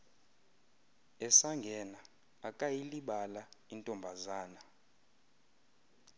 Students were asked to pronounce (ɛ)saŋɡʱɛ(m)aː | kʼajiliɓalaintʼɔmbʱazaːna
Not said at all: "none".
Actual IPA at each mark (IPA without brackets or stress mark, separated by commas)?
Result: ɛ, n